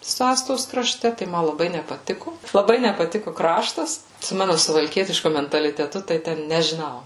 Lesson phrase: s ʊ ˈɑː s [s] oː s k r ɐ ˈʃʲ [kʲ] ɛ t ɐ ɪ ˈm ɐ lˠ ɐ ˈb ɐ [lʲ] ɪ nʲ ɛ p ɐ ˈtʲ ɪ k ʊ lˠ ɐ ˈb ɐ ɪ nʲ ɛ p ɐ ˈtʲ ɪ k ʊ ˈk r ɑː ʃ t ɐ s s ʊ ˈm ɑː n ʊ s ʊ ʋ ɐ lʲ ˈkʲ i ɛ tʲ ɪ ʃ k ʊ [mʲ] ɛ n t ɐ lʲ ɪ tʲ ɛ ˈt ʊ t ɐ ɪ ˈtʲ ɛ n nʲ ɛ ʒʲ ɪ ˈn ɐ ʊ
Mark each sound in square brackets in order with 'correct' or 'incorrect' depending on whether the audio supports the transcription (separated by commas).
incorrect, incorrect, incorrect, correct